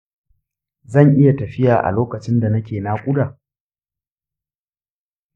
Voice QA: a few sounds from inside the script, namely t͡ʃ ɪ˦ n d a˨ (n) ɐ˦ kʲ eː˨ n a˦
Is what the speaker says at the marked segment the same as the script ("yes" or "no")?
yes